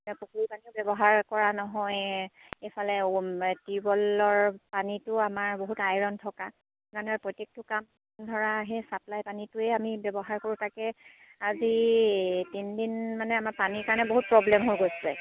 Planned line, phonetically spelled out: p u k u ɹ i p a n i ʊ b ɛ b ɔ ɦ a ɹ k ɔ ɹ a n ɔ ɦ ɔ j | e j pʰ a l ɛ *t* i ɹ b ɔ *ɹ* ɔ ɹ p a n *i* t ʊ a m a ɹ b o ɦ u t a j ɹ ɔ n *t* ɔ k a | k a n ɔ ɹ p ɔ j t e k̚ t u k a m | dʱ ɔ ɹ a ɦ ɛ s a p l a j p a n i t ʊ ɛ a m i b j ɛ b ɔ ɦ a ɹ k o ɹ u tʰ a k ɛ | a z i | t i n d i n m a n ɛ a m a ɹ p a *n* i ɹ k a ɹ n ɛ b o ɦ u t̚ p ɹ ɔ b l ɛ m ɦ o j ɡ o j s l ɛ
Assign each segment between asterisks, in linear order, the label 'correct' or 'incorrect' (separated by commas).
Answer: correct, incorrect, correct, incorrect, correct